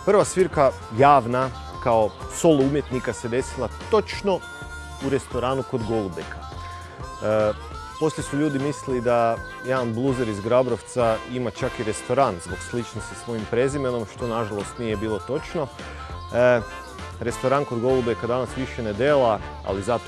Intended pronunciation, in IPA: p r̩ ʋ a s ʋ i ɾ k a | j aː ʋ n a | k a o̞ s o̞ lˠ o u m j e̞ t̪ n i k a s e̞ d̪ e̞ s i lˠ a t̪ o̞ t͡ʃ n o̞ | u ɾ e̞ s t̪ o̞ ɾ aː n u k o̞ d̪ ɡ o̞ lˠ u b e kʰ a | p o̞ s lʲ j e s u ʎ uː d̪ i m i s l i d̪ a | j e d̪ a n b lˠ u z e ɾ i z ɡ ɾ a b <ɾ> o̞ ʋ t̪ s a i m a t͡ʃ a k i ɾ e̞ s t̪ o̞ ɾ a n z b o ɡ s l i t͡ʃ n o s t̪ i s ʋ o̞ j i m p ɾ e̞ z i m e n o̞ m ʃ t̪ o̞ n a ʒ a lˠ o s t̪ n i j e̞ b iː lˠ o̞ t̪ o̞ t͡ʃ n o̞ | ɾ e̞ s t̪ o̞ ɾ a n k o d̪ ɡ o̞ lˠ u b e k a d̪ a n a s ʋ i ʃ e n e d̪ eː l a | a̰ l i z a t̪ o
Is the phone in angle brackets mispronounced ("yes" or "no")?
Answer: no